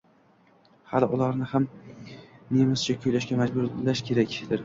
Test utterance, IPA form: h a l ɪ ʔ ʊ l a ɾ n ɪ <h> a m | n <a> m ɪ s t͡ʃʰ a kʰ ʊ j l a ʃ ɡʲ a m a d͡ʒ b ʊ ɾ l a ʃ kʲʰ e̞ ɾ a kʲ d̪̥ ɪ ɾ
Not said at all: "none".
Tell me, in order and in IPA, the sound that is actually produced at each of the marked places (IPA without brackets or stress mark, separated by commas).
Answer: h, e